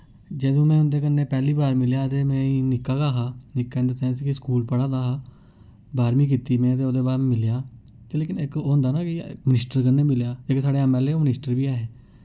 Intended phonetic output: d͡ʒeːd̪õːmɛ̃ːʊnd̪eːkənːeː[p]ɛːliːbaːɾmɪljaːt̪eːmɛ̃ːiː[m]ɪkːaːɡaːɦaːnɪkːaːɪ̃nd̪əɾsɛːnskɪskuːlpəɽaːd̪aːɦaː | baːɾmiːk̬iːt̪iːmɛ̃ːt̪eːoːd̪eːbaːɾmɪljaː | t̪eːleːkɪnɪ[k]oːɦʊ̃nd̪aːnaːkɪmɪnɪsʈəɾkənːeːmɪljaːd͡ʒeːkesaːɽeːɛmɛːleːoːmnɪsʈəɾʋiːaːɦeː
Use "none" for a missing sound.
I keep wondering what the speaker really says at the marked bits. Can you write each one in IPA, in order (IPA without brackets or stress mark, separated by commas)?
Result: p, n, k